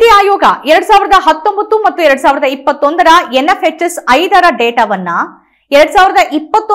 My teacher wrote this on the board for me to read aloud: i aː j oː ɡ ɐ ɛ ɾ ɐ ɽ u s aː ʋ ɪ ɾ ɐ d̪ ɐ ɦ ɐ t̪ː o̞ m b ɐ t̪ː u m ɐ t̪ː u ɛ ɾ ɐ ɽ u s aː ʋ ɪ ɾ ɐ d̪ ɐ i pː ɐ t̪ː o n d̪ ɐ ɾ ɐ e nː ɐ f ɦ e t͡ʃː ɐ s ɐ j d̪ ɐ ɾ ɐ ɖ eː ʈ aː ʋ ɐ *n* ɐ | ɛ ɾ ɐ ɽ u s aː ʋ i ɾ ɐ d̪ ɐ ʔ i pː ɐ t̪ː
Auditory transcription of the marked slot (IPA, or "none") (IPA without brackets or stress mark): nː